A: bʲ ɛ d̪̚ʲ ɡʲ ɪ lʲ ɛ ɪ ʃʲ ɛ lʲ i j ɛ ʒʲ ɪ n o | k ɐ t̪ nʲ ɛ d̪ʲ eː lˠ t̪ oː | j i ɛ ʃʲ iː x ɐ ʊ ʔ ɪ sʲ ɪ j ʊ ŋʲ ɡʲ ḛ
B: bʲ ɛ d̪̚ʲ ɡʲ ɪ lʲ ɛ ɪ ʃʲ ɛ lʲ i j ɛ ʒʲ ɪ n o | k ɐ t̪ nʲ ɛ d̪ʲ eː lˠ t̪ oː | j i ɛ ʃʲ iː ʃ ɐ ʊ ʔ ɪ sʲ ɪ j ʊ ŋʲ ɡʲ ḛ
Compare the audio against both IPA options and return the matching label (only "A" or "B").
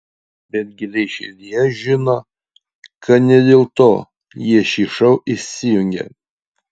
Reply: B